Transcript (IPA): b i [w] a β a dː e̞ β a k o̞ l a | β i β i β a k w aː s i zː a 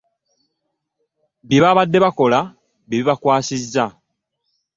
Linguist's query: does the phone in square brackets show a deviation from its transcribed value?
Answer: yes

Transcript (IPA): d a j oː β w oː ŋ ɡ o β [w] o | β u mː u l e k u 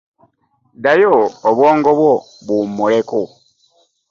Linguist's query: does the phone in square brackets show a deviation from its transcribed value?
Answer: no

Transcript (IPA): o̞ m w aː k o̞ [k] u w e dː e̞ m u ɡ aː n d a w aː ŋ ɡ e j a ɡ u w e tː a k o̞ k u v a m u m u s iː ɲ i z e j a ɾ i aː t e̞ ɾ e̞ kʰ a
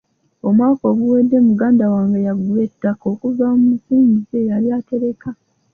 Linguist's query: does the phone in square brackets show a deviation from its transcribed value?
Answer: yes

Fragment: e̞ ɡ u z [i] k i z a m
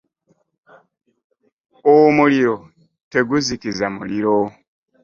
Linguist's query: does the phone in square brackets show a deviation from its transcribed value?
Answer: no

